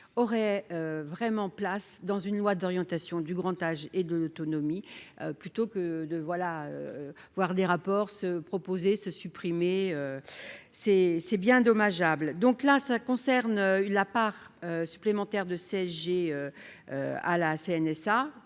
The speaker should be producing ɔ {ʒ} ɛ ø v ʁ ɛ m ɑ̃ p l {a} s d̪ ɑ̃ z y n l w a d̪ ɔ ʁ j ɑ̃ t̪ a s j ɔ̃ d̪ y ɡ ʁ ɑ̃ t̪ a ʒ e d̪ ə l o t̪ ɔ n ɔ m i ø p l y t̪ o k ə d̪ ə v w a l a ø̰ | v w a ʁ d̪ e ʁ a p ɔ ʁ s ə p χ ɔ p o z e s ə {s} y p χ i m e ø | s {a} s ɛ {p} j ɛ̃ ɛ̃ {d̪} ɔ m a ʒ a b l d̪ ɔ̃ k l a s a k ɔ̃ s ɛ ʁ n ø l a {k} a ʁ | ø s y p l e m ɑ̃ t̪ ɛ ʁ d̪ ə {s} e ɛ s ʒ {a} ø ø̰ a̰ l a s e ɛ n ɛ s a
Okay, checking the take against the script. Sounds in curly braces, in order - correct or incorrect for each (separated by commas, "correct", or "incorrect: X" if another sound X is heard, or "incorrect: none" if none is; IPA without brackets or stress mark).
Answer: incorrect: ʁ, correct, correct, incorrect: ɛ, incorrect: b, correct, incorrect: p, correct, incorrect: e